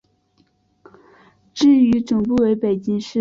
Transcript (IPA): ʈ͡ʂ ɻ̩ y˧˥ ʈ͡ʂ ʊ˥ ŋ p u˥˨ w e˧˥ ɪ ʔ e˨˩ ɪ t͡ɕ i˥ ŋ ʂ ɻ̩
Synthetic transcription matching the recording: ʈ͡ʂ ɻ̩ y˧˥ ʈ͡ʂ ʊ˨˩ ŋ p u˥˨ w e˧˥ ɪ p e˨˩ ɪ t͡ɕ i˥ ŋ ʂ ɻ̩